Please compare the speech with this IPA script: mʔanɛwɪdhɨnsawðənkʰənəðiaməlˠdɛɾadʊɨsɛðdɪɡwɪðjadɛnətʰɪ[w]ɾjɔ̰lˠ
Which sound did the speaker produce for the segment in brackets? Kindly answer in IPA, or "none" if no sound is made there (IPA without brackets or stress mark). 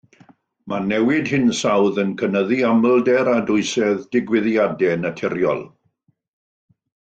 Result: none